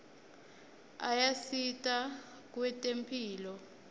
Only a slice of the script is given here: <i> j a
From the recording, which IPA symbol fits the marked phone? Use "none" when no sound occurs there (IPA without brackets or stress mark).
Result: a